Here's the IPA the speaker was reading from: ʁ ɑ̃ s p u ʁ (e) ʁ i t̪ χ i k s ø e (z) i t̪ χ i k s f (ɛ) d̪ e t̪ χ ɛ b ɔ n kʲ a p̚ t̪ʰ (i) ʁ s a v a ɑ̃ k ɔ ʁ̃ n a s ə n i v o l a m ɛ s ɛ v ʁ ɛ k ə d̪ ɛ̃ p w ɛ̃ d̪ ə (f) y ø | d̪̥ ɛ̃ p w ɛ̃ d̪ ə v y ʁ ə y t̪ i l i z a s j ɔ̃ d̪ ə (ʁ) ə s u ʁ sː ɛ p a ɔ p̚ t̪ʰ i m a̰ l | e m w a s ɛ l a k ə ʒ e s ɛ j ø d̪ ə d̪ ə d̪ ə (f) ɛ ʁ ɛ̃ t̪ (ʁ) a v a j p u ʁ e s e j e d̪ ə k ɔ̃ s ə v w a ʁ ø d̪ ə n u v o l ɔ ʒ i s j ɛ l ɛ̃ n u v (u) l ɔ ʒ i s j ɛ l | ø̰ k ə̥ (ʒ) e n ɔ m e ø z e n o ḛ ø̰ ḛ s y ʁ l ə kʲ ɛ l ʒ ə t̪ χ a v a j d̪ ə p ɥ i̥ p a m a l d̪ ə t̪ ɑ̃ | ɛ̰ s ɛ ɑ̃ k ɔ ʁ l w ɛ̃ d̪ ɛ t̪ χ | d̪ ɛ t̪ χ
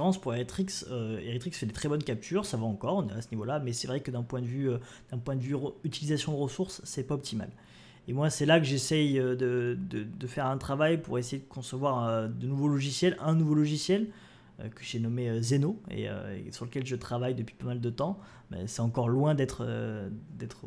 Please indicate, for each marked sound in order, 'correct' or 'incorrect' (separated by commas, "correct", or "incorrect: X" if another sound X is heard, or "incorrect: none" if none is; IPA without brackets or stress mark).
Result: correct, incorrect: ʁ, correct, incorrect: y, incorrect: v, correct, correct, incorrect: χ, incorrect: o, correct